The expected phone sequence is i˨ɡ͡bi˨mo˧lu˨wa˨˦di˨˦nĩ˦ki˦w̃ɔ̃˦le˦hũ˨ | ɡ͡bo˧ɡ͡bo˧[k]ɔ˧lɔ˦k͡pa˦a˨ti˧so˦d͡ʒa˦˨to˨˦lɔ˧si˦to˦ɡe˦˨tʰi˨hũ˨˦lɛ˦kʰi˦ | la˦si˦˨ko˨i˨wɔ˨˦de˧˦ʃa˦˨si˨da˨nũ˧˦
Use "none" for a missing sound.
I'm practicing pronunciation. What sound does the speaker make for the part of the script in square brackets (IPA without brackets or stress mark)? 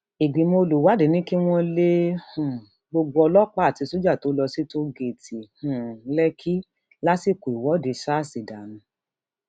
none